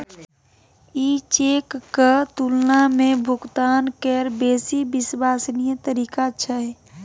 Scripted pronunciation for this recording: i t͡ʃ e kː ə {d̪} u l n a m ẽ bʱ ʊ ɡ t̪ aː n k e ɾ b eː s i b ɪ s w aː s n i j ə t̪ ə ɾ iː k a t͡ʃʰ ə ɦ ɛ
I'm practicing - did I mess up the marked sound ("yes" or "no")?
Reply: yes